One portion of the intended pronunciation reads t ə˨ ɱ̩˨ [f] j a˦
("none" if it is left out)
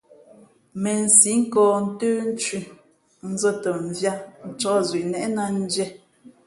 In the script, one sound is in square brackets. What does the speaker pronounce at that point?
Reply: v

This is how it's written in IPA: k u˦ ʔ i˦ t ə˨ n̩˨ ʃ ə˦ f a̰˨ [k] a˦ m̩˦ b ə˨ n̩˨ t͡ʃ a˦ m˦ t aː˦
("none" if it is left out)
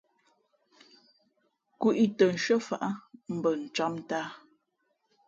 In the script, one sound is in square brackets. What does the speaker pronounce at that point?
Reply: ʔ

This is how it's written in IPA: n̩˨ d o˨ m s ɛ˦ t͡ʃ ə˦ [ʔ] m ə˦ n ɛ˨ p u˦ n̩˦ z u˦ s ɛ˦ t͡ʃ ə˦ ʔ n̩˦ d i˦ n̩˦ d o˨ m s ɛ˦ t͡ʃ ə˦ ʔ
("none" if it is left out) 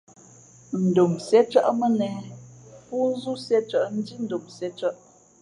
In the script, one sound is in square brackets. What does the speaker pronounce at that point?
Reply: ʔ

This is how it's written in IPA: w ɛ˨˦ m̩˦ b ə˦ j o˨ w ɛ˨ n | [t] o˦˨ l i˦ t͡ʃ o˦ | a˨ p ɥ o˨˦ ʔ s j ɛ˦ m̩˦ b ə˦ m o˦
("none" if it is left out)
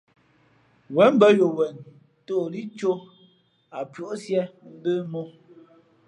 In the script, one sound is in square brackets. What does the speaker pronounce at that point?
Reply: t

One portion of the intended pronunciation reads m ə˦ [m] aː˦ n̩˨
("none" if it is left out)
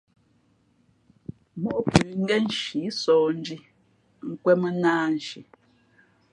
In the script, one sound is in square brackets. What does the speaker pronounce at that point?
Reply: n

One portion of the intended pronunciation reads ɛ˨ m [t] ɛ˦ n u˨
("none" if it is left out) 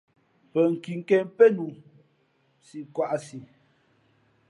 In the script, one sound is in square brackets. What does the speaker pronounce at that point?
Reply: p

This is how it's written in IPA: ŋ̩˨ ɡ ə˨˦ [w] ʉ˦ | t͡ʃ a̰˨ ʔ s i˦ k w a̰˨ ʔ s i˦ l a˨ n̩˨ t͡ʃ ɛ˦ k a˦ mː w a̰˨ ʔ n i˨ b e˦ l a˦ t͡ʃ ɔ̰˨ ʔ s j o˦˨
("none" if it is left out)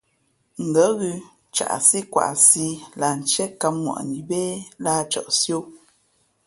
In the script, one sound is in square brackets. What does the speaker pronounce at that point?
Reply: ɣ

